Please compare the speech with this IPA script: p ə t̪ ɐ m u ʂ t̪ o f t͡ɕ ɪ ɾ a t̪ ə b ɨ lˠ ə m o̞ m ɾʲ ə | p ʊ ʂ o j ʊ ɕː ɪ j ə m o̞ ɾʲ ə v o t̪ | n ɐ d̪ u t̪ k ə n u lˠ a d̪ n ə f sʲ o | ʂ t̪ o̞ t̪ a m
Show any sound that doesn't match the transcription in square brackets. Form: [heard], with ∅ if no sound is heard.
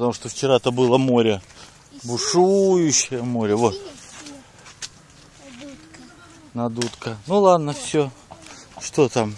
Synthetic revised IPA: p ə t̪ ɐ m u ʂ t̪ o f t͡ɕ ɪ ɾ a t̪ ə b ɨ lˠ ə m o̞ [∅] ɾʲ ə | [b] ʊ ʂ [u] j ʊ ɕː ɪ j ə m o̞ ɾʲ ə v o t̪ | n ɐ d̪ u t̪ k ə n u lˠ a d̪ n ə f sʲ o | ʂ t̪ o̞ t̪ a m